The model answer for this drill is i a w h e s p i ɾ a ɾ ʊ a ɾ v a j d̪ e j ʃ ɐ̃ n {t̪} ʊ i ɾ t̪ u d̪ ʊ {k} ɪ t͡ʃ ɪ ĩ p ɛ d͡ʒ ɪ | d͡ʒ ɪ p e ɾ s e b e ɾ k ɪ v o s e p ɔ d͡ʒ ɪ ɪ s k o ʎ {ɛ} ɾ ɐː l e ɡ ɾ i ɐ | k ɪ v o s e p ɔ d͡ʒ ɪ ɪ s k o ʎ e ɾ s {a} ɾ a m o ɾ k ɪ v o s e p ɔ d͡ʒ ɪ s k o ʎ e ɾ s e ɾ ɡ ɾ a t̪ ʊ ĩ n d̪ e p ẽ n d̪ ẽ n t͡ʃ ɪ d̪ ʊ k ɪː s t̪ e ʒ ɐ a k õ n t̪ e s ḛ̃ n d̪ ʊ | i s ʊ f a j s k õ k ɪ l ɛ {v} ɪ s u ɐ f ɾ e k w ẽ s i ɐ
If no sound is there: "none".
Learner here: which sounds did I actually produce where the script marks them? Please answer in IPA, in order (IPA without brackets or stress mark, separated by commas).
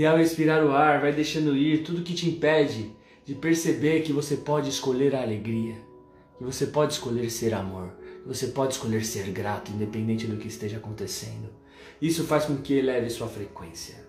d̪, k, e, e, v